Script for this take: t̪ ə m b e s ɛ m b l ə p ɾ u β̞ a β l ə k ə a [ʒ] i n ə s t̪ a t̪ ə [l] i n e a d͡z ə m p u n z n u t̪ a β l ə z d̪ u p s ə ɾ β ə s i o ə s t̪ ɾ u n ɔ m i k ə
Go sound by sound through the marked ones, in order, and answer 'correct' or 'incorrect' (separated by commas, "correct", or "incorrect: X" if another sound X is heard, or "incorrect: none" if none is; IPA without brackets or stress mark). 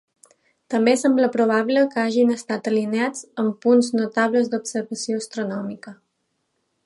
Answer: correct, correct